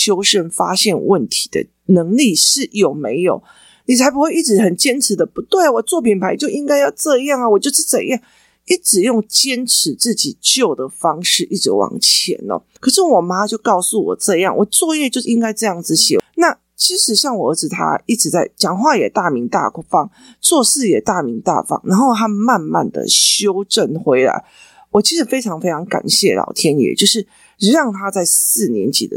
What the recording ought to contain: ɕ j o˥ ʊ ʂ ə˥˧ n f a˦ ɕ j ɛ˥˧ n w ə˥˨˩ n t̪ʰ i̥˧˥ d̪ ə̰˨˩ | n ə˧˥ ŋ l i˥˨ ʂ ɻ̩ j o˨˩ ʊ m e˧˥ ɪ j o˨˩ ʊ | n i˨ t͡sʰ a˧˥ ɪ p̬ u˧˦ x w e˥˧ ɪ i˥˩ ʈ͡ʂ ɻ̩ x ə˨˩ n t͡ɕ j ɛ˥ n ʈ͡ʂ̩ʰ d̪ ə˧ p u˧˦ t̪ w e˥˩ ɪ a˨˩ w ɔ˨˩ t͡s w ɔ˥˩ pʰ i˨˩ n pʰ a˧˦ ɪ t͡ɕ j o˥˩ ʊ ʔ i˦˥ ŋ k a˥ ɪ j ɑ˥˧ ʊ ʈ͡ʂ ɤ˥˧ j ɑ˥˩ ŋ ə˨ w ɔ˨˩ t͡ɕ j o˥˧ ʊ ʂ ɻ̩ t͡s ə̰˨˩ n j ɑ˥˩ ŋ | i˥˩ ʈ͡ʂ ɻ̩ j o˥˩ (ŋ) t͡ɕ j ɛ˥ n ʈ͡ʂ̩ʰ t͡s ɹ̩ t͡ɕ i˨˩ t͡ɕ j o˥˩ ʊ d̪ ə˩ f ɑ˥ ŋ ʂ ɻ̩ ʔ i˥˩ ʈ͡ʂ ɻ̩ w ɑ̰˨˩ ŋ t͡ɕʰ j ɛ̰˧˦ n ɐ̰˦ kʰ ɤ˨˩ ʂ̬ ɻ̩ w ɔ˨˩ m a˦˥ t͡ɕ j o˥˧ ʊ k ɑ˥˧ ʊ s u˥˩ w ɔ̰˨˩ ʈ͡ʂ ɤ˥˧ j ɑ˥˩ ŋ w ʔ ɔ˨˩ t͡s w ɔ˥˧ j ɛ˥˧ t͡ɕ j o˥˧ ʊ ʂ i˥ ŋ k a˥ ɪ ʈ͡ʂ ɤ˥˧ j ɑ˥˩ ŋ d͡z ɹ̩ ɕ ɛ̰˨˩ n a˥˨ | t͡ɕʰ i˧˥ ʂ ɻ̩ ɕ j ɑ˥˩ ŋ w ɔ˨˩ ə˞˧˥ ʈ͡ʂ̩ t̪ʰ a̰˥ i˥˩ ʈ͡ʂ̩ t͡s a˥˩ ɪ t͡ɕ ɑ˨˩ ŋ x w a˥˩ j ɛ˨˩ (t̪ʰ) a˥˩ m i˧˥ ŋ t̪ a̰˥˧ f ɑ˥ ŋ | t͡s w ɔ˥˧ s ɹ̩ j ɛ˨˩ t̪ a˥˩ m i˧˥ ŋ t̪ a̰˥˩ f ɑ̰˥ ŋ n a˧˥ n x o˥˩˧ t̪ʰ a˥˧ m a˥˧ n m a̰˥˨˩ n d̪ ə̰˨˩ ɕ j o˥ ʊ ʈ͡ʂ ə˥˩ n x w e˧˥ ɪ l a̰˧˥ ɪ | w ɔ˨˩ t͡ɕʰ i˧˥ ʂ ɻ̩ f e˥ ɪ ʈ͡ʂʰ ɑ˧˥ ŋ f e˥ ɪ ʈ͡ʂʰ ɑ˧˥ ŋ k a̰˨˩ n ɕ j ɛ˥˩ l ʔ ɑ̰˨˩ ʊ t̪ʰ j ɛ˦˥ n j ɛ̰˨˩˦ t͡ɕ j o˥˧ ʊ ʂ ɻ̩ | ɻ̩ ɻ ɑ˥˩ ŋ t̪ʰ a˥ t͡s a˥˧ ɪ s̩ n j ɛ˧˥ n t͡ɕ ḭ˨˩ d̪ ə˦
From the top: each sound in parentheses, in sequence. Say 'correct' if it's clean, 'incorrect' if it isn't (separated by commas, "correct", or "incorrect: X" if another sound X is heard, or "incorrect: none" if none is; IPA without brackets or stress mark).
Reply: correct, incorrect: t̪